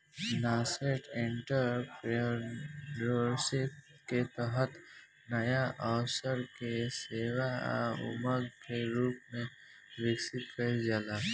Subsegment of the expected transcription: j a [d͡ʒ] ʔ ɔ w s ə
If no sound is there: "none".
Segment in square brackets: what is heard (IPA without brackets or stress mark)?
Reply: none